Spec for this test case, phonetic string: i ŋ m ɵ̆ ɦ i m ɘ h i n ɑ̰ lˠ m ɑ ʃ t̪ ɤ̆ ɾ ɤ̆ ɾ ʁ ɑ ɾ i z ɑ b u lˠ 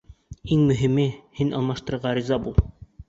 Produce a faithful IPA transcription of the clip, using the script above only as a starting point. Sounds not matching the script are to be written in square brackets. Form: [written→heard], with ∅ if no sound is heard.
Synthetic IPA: i ŋ m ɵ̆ ɦ i m ɘ h i n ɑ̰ lˠ m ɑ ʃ t̪ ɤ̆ ɾ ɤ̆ ɾ ʁ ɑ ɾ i z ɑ b u lˠ

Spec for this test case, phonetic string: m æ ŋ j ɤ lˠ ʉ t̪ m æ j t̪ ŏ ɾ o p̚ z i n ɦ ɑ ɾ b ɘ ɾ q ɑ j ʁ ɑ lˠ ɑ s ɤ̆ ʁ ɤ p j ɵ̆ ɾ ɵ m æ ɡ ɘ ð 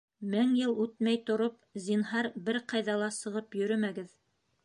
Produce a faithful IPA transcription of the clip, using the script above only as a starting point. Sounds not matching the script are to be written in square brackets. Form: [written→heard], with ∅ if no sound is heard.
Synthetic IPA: m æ ŋ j ɤ lˠ ʉ t̪ m æ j t̪ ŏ ɾ o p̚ z i n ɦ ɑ ɾ b ɘ ɾ q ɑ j [ʁ→ð] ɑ lˠ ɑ s ɤ̆ ʁ ɤ p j ɵ̆ ɾ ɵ m æ ɡ ɘ ð

